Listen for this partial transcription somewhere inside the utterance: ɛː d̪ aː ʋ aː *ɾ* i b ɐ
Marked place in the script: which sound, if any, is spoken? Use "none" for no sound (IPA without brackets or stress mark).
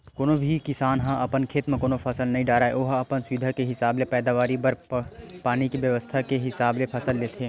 ɾ